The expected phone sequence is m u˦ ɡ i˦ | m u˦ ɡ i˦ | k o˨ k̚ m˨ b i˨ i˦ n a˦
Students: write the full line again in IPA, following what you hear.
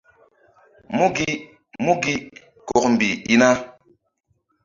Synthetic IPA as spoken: m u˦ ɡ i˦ | m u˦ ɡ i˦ | k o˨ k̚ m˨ b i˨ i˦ n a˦